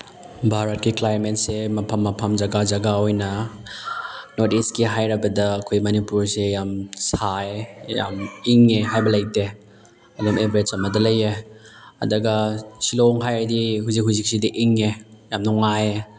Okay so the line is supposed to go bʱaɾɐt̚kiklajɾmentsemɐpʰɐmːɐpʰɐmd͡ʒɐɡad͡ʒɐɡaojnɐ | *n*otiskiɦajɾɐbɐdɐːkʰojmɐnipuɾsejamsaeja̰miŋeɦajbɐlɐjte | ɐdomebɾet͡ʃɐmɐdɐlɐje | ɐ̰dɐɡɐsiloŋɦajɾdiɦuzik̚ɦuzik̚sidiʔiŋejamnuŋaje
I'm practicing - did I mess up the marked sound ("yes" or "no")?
no